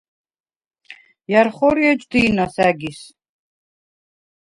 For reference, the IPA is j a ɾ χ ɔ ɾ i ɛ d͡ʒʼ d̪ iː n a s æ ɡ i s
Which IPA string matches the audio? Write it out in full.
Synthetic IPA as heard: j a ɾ χ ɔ ɾ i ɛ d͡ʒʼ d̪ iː n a s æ ɡ i s